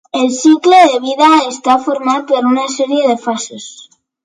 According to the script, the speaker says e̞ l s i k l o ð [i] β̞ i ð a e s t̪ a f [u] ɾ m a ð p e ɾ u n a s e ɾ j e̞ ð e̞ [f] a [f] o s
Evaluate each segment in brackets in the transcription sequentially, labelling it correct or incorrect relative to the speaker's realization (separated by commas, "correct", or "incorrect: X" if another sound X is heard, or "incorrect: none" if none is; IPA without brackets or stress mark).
incorrect: e, incorrect: o, correct, incorrect: s